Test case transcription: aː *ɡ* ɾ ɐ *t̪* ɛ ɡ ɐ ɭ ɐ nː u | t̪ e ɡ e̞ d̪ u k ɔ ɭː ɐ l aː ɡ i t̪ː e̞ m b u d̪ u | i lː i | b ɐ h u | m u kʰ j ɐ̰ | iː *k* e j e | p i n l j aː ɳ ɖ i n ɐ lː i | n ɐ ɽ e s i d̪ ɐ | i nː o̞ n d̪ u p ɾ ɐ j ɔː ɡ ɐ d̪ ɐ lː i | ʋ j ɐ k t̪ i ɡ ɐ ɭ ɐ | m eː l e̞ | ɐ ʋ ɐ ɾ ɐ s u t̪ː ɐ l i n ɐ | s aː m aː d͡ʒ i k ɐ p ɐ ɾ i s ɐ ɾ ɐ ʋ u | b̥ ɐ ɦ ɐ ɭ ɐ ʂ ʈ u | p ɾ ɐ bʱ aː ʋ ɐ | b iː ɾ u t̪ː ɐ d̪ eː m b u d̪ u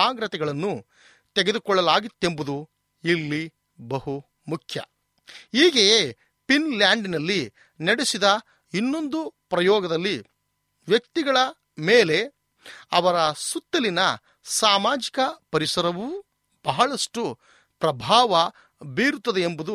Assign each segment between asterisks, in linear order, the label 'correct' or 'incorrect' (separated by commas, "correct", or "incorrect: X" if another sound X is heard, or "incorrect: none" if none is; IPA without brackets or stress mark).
correct, correct, incorrect: ɡ